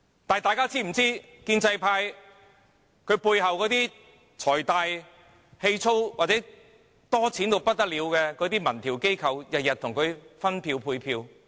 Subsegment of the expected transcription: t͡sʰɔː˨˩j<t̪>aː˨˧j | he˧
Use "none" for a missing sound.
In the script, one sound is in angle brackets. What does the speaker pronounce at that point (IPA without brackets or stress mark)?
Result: t̪